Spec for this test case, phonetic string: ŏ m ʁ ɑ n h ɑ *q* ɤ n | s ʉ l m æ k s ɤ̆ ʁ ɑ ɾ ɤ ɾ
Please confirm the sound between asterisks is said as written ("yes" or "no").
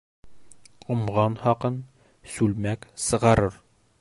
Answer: yes